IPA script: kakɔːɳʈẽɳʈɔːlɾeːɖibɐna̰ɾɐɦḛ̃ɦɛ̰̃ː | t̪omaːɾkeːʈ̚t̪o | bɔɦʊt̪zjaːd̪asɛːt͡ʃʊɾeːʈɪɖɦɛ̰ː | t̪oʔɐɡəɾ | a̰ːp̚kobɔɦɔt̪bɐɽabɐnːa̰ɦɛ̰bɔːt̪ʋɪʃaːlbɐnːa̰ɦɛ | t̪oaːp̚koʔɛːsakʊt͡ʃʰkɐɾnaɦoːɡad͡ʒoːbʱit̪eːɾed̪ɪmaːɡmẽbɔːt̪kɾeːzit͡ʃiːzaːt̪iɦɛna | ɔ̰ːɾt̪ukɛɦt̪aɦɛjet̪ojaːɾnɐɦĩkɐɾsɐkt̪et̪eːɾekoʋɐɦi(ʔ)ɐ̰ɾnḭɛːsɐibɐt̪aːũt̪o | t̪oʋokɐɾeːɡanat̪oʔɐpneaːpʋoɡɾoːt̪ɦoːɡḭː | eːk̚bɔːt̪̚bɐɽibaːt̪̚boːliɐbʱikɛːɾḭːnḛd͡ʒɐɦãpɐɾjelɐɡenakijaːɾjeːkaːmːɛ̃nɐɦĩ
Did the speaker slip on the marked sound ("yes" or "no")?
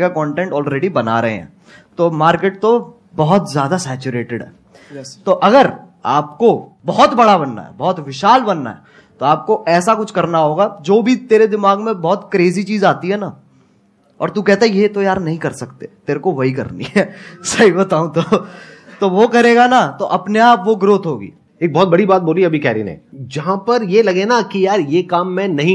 yes